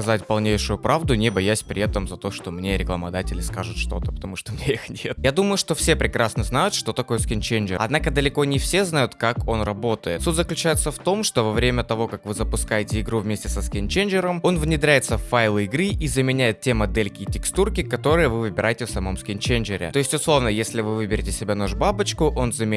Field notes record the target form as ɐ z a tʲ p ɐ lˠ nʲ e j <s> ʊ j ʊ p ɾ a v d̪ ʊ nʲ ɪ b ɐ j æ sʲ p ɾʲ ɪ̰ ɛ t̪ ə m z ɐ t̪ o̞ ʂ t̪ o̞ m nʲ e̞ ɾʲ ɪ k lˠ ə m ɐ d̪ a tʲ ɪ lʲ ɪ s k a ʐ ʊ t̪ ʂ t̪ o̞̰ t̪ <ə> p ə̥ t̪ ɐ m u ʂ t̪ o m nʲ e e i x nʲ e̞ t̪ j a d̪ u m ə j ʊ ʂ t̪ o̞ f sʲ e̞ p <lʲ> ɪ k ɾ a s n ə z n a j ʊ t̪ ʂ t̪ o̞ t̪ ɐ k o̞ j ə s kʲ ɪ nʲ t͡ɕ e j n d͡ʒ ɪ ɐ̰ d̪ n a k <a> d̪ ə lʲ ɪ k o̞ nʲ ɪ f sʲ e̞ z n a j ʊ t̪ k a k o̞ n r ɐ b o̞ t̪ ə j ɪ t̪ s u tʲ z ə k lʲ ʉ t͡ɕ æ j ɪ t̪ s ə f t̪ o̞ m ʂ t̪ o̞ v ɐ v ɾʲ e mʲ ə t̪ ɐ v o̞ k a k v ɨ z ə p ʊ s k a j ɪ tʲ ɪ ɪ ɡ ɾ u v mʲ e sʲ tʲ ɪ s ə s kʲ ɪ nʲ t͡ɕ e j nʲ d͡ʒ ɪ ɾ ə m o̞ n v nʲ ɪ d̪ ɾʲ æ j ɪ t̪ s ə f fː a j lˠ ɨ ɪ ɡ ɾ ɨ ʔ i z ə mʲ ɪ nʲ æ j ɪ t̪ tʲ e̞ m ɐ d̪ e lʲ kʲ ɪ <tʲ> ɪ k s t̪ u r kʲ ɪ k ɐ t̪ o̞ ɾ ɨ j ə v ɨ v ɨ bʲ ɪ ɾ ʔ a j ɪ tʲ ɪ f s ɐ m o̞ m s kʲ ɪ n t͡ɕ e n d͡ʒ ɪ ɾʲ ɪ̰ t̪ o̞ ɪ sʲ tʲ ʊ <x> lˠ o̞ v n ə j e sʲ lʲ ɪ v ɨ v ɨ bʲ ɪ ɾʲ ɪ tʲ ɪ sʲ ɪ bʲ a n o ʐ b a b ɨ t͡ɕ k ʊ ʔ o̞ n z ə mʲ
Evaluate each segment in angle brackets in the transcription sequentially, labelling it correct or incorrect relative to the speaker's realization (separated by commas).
incorrect, correct, incorrect, incorrect, correct, incorrect